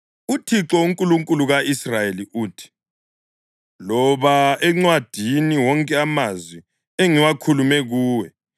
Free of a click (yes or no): no